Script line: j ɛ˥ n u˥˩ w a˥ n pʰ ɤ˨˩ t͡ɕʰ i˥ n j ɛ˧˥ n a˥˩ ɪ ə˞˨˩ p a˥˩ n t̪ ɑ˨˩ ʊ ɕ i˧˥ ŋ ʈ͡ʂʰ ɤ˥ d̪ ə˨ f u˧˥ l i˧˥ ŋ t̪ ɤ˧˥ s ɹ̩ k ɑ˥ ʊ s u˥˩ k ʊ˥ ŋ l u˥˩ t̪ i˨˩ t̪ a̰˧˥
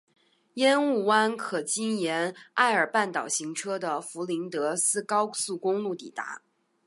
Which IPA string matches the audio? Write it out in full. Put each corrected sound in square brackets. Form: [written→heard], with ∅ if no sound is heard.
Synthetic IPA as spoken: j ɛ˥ n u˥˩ w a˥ n [pʰ→kʰ] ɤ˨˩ [t͡ɕʰ→t͡ɕ] i˥ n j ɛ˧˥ n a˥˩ ɪ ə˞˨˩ p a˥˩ n t̪ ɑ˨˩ ʊ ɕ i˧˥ ŋ ʈ͡ʂʰ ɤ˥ d̪ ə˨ f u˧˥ l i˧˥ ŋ t̪ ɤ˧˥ s ɹ̩ k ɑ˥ ʊ s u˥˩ k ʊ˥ ŋ l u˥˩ t̪ i˨˩ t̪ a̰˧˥